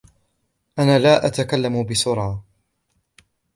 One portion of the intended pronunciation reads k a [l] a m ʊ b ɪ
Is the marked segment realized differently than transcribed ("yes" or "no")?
yes